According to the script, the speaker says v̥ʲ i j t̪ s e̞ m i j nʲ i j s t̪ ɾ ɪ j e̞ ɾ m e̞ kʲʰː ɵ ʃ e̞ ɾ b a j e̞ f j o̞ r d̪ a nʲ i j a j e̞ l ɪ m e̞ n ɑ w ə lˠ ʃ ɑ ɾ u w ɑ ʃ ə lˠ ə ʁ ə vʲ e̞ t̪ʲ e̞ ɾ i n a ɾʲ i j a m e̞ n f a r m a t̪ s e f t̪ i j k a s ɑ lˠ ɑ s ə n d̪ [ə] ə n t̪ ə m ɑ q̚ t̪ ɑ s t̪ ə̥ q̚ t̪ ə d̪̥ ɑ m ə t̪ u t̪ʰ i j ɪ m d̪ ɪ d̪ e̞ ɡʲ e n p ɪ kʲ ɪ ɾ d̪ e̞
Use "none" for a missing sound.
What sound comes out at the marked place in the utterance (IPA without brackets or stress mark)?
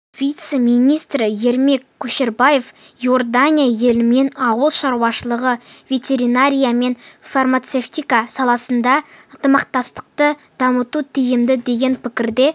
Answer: ɑ